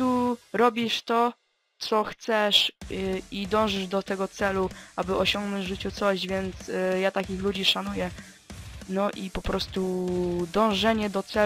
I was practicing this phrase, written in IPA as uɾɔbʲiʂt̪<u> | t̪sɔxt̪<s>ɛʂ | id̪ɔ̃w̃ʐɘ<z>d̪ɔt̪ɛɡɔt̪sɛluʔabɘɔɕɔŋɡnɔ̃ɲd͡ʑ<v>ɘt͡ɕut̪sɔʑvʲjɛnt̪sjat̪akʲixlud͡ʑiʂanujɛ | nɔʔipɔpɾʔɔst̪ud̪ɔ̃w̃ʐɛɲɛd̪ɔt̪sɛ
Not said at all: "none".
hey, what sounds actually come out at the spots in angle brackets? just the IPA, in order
ɔ, s, ʐ, ʐ

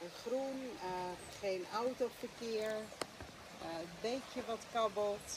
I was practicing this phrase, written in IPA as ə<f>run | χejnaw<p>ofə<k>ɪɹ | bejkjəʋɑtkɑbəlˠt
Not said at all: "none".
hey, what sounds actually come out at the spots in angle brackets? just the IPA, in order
χ, t, k

